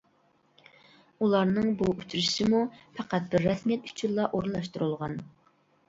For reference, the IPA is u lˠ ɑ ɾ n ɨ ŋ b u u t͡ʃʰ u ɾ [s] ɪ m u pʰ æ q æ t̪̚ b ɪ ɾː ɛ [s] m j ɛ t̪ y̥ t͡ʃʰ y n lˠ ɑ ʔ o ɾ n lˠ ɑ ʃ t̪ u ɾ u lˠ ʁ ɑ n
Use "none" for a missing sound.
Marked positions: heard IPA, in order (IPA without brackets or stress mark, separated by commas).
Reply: ʃ, s